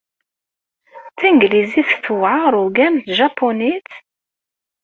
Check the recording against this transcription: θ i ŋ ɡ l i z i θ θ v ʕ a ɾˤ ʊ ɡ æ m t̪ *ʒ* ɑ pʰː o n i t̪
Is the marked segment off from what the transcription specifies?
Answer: no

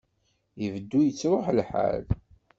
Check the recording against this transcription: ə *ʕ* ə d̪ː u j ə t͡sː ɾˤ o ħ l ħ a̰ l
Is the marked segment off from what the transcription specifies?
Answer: yes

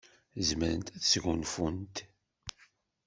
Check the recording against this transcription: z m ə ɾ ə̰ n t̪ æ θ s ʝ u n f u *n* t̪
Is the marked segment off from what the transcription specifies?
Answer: no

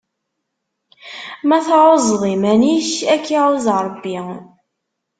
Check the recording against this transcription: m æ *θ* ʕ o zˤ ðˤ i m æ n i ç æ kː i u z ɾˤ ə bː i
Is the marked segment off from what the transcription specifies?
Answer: no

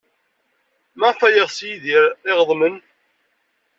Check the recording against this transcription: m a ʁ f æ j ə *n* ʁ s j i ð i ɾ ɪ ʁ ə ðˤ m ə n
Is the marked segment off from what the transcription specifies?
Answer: yes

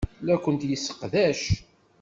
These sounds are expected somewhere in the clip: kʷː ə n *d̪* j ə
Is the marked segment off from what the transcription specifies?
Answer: yes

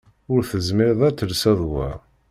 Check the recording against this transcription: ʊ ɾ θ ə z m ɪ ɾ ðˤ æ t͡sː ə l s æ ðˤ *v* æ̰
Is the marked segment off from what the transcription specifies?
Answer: yes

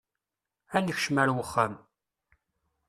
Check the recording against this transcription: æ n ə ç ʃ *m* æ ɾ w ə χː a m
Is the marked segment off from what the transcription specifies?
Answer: no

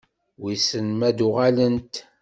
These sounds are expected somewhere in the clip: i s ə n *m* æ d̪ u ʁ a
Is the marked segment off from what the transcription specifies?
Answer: no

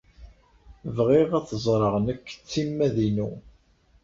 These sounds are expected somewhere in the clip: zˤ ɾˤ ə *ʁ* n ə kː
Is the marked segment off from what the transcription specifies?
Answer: no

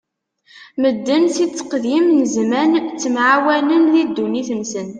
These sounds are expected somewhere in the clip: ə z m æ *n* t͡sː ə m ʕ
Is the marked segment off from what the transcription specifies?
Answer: no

